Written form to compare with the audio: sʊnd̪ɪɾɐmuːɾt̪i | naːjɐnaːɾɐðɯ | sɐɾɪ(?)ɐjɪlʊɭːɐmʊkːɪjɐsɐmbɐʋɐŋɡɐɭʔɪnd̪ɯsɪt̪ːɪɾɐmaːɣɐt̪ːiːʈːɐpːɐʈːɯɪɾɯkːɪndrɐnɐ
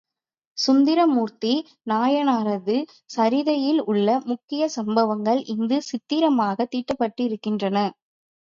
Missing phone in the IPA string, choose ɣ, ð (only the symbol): ð